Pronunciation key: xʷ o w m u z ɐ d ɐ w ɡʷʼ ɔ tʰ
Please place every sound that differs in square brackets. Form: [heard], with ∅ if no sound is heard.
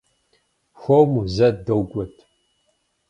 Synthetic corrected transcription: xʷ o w m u z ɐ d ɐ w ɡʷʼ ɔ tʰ